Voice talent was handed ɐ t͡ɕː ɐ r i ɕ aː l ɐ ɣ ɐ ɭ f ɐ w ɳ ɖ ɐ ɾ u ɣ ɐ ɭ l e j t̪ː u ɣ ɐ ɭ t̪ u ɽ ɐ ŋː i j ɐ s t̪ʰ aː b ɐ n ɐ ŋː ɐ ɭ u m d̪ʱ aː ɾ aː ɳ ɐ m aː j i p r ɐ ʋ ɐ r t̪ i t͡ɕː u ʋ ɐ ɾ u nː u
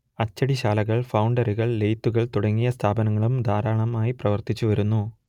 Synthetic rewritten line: ɐ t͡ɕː ɐ ɽ i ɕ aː l ɐ ɣ ɐ ɭ f ɐ w ɳ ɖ ɐ ɾ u ɣ ɐ ɭ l e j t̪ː u ɣ ɐ ɭ t̪ u ɽ ɐ ŋː i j ɐ s t̪ʰ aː b ɐ n ɐ ŋː ɐ ɭ u m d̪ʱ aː ɾ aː ɳ ɐ m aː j i p r ɐ ʋ ɐ r t̪ i t͡ɕː u ʋ ɐ ɾ u nː u